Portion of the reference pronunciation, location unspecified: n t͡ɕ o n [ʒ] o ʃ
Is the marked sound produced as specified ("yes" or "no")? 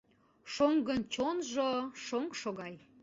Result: yes